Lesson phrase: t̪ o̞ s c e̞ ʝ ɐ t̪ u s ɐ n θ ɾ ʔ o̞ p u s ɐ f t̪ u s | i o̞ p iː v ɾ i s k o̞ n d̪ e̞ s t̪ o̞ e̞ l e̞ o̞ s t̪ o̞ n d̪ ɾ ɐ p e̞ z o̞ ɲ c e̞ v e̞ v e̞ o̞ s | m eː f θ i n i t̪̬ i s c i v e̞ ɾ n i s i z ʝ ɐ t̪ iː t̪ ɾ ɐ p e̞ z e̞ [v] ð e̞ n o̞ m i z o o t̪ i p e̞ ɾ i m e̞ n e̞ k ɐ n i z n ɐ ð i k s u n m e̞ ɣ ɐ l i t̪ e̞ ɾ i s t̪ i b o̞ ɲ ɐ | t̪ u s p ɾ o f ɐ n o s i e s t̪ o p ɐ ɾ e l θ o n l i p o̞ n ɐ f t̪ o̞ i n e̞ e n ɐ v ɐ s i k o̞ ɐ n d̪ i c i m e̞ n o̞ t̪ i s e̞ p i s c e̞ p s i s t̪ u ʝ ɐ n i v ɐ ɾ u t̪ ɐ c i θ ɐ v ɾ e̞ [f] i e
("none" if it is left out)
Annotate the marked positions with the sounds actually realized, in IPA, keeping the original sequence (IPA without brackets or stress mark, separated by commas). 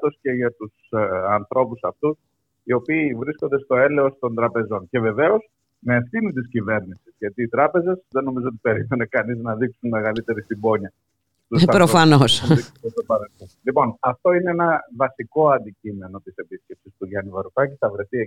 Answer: z, θ